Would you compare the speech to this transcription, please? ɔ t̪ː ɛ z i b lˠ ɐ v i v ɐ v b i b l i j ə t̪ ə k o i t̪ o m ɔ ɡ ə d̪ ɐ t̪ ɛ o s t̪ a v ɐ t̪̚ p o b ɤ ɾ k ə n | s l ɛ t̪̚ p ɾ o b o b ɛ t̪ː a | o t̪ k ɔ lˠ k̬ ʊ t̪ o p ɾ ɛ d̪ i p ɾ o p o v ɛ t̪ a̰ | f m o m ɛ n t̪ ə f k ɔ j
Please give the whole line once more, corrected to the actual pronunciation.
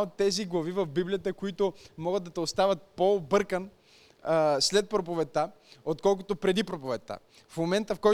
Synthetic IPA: o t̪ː ɛ z i ɡ lˠ ɐ v i v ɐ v b i b l i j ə t̪ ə k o i t̪ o m ɔ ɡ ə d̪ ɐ t̪ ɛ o s t̪ a v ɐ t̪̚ p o b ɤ ɾ k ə n | s l ɛ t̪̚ p ɾ o p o v ɛ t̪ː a | o t̪ k ɔ lˠ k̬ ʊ t̪ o p ɾ ɛ d̪ i p ɾ o p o v ɛ t̪ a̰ | f m o m ɛ n t̪ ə f k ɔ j